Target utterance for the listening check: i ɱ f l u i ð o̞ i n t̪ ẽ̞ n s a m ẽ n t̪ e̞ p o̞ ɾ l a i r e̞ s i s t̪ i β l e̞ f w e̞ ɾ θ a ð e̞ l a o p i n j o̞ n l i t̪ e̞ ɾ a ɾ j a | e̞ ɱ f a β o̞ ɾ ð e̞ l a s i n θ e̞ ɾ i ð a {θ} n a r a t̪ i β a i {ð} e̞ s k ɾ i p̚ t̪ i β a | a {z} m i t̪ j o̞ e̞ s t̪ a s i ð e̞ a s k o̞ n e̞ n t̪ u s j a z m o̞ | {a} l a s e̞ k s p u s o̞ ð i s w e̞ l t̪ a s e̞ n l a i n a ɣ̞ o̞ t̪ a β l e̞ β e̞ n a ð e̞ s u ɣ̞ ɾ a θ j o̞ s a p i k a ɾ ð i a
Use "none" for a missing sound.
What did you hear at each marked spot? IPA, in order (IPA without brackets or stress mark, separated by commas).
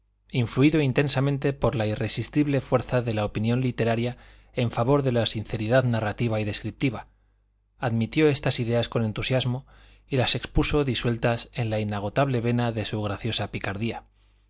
ð, ð, ð, i